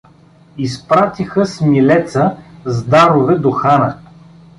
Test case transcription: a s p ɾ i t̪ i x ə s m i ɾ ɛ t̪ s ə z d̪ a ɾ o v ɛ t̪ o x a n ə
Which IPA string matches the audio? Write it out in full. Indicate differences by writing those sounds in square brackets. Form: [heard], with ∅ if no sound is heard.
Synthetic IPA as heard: [i] s p ɾ [a] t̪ i x ə s m i [l] ɛ t̪ s ə z d̪ a ɾ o v ɛ [d̪] o x a n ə